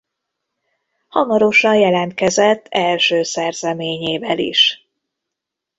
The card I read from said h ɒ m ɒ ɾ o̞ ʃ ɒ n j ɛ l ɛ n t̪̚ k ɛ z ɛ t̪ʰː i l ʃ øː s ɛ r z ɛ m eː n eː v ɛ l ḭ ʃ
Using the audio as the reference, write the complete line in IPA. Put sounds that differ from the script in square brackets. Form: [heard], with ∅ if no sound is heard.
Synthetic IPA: h ɒ m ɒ ɾ o̞ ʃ ɒ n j ɛ l ɛ n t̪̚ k ɛ z ɛ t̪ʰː [ɛ] l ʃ øː s ɛ r z ɛ m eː [ɲ] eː v ɛ l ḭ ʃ